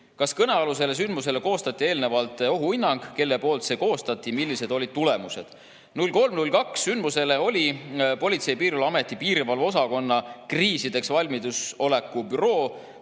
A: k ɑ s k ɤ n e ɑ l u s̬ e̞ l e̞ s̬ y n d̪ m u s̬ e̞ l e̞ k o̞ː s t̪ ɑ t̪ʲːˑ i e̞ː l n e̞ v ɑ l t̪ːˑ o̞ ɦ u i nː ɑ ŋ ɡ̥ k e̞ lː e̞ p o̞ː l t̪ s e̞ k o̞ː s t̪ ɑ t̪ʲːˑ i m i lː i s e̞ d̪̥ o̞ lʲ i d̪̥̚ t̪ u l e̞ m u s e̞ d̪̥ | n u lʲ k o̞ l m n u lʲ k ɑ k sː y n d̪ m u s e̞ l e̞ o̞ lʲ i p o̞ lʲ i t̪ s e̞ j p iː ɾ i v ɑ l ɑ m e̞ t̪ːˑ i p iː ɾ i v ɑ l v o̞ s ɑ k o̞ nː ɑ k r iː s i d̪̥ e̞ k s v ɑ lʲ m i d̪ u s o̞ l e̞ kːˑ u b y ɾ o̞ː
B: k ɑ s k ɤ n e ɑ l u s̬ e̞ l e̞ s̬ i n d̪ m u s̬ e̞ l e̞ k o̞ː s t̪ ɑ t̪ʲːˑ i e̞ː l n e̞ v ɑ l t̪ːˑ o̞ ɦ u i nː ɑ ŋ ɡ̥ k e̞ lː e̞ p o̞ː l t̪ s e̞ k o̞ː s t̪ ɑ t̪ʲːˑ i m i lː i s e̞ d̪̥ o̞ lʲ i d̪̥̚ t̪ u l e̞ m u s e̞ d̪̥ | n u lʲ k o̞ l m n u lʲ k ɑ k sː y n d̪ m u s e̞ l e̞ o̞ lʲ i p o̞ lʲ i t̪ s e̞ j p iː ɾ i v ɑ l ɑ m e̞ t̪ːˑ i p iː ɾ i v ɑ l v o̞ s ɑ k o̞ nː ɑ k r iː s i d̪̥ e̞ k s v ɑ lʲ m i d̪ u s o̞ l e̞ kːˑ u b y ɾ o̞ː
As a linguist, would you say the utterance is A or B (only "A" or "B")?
A